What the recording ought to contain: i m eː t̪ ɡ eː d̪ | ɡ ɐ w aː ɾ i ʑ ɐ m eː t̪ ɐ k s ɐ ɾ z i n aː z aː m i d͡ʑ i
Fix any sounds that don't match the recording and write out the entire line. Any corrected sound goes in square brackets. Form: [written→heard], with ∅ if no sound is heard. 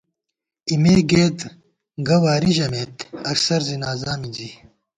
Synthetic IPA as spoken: i m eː [t̪→∅] ɡ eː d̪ | ɡ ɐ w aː ɾ i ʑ ɐ m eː t̪ ɐ k s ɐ ɾ z i n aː z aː m i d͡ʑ i